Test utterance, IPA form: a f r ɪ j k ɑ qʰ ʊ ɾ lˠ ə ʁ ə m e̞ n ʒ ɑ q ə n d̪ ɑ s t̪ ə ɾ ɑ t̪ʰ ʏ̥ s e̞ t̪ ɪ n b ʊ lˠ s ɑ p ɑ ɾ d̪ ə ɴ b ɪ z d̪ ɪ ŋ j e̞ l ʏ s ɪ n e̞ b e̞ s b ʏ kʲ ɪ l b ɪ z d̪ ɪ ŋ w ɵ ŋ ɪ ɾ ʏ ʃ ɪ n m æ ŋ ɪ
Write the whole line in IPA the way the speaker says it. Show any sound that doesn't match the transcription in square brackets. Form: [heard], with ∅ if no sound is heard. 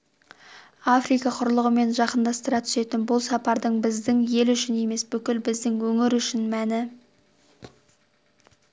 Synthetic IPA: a f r [i] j k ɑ qʰ ʊ ɾ lˠ ə ʁ ə m e̞ n ʒ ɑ q ə n d̪ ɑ s t̪ ə ɾ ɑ t̪ʰ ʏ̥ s e̞ t̪ ɪ n b ʊ lˠ s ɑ p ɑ ɾ d̪ ə ɴ b ɪ z d̪ ɪ ŋ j e̞ l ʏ [ʃ] ɪ n e̞ [m] e̞ s b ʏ kʲ ɪ l b ɪ z d̪ ɪ ŋ w ɵ ŋ ɪ ɾ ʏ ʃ ɪ n m æ [n] ɪ